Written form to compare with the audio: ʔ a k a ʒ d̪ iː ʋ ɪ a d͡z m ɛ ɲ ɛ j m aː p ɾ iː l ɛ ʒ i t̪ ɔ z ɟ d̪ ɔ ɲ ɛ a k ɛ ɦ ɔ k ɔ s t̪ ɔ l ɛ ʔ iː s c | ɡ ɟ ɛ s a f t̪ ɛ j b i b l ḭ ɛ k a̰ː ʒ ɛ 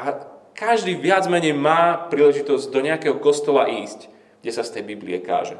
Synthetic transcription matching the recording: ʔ a k a ʒ d̪ iː ʋ ɪ a d͡z m ɛ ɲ ɛ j m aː p ɾ iː l ɛ ʒ i t̪ ɔ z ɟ d̪ ɔ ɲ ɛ a k ɛ ɦ ɔ k ɔ s t̪ ɔ l a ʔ iː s c | ɡ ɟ ɛ s a s t̪ ɛ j b i b l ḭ ɛ k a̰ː ʒ ɛ